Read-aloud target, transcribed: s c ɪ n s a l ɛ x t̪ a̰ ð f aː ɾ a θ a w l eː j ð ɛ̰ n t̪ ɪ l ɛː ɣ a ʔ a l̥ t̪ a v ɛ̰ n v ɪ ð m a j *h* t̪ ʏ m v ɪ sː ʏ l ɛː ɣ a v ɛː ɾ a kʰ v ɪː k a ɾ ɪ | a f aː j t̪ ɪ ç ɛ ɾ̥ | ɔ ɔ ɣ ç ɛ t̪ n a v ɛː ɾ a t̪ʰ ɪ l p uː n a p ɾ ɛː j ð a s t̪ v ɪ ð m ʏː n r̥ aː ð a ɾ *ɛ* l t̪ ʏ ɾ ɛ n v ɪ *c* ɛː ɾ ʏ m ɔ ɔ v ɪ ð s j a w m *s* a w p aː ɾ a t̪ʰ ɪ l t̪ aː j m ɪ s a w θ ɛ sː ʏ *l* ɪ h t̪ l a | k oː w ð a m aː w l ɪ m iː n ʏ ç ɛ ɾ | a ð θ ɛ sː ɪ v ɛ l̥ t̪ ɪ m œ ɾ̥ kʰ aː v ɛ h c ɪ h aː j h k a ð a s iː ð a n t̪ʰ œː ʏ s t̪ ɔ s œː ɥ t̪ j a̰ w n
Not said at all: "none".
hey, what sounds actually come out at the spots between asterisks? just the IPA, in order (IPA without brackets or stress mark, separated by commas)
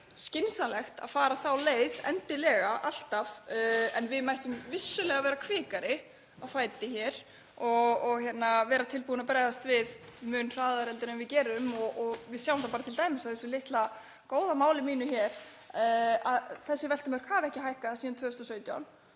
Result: h, ɛ, c, θ, l